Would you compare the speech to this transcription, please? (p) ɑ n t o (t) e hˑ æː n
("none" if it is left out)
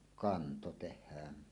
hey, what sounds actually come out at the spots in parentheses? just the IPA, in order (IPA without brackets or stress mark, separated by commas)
k, t